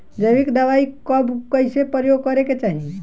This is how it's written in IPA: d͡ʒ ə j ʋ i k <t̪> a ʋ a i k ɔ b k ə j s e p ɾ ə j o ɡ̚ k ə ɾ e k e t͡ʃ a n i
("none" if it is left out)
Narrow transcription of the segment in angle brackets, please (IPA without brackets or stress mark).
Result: d̪